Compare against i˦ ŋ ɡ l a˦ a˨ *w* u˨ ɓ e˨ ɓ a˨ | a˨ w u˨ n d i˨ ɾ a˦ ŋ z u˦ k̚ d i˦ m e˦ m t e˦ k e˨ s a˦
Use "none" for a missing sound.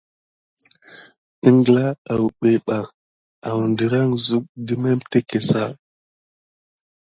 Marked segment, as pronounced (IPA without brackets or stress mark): w